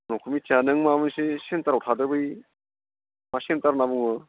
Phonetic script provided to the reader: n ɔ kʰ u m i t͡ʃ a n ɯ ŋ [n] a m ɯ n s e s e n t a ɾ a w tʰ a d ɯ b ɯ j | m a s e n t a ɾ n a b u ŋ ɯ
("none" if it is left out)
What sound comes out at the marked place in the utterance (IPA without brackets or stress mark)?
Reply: m